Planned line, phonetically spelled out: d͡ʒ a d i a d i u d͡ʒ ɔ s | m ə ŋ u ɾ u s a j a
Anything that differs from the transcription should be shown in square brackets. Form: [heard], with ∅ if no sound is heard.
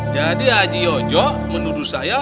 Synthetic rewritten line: d͡ʒ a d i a [d͡ʒ] i [ɔ] d͡ʒ ɔ [∅] | m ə [n] u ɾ u s a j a

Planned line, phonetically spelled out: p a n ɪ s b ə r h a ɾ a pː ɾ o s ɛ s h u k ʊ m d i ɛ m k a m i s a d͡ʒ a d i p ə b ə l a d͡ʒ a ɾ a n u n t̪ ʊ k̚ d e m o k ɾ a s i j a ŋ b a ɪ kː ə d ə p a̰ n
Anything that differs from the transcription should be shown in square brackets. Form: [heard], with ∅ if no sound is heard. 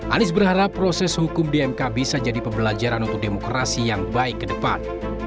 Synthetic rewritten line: [ʔ] a n ɪ s b ə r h a ɾ a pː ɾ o s ɛ s h u k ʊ m d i ɛ m k a [b] i s a d͡ʒ a d i p ə b ə l a d͡ʒ a ɾ a n u n t̪ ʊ k̚ d e m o k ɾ a s i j a ŋ b a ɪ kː ə d ə p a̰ n

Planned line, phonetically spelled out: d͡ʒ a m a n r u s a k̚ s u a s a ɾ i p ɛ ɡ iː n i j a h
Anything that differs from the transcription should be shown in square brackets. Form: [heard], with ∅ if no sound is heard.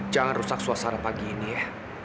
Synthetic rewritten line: d͡ʒ a [ŋ] a n r u s a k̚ s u a s a ɾ [a] p [a] ɡ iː n i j a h

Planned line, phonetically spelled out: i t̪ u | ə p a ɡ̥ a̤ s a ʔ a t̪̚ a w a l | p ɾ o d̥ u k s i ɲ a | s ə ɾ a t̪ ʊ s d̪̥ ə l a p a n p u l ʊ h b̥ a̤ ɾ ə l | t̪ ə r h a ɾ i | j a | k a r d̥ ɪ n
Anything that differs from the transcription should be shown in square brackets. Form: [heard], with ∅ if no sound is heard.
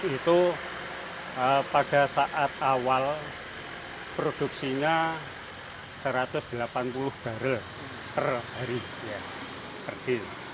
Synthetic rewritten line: i t̪ u | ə p a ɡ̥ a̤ s a ʔ a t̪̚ a w a l | p ɾ o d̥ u k s i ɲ a | s ə ɾ a t̪ ʊ s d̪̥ ə l a p a n p u l ʊ h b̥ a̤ ɾ ə l | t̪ ə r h a ɾ i | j a | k [ə] r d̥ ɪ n

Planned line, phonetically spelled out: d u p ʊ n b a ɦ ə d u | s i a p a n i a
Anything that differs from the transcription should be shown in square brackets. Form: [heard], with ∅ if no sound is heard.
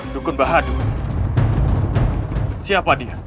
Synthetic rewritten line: d u [k] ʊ n b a ɦ [a] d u | s i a p a [d] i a

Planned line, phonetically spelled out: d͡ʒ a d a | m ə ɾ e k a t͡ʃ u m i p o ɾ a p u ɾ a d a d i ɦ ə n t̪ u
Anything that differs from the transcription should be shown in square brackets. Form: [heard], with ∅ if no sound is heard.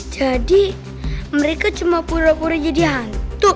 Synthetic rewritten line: d͡ʒ a d [i] | m ə ɾ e k a t͡ʃ u m [a] p [u] ɾ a p u ɾ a [d͡ʒ] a d i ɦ [a] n t̪ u

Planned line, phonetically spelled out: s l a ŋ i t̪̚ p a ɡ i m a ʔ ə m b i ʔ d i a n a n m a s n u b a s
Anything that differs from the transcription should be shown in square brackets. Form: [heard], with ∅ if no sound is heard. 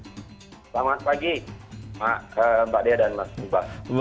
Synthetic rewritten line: s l a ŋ [a] t̪̚ p a ɡ i m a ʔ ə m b [a] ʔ d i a [d] a n m a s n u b a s

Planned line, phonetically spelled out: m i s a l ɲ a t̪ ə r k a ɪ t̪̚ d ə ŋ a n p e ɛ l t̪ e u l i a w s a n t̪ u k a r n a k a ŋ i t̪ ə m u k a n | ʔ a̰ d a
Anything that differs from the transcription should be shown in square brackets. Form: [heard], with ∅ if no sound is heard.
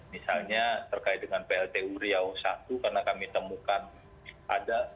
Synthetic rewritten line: m i s a l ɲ a t̪ ə r k a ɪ t̪̚ d ə ŋ a n p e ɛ l t̪ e u [ɾ] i a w s a [∅] t̪ u k a r n a k a [m] i t̪ ə m u k a n | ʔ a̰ d a

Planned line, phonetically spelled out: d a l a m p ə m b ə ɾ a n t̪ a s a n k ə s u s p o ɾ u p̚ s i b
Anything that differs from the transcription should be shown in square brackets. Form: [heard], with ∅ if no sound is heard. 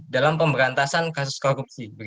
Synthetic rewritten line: d a l a m p ə m b ə ɾ a n t̪ a s a n k [a] s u s [k] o ɾ u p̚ s i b

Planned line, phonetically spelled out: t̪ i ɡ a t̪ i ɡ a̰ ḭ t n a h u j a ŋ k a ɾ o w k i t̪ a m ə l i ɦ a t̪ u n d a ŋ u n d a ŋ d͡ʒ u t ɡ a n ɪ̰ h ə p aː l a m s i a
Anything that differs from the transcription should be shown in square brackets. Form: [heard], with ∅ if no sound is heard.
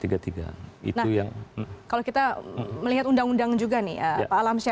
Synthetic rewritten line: t̪ i ɡ a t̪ i ɡ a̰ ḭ t n a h u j a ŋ k a [l] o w k i t̪ a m ə l i ɦ a t̪ u n d a ŋ u n d a ŋ d͡ʒ u [∅] ɡ a n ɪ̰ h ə p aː l a m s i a

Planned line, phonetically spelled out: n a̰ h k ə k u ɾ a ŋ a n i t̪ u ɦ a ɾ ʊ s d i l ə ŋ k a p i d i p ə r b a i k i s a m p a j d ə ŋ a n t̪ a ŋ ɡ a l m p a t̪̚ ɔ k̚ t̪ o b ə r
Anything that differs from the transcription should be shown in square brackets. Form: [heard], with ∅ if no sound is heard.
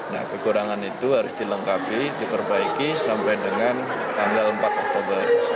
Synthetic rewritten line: n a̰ h k ə k u ɾ a ŋ a n i t̪ u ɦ a ɾ ʊ s d i l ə ŋ k a p i d i p ə r b a i k i s a m p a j d ə ŋ a n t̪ a ŋ ɡ a l m p a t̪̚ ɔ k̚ t̪ o b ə r

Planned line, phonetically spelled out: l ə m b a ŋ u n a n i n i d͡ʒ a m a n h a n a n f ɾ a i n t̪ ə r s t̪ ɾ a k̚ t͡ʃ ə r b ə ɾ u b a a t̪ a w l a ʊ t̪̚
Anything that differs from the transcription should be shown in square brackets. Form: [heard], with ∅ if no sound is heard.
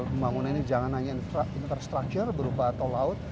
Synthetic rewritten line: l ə m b a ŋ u n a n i n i d͡ʒ a [ŋ] a n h a [ɲ] a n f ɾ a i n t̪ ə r s t̪ ɾ a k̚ t͡ʃ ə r b ə ɾ u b a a t̪ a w l a ʊ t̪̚

